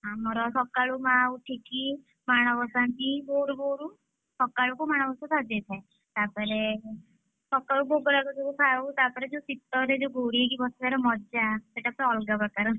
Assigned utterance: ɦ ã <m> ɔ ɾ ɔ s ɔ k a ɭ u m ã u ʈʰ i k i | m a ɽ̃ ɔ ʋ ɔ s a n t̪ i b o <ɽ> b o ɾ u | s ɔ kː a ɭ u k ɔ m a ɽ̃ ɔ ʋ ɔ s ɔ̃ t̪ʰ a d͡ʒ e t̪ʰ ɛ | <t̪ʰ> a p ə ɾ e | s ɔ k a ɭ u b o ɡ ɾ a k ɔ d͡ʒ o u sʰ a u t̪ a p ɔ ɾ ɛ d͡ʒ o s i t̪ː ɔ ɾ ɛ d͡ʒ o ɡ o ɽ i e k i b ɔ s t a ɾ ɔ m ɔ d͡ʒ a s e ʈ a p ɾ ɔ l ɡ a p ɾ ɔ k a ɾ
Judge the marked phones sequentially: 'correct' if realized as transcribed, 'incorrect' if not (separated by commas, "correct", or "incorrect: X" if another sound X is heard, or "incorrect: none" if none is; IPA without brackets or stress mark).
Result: correct, incorrect: ɾ, incorrect: t̪